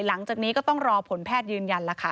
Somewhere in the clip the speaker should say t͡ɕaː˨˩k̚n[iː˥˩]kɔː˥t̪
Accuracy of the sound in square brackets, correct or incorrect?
incorrect